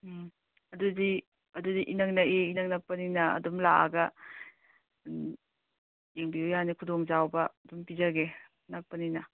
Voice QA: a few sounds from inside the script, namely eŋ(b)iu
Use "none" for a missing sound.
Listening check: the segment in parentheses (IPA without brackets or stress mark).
b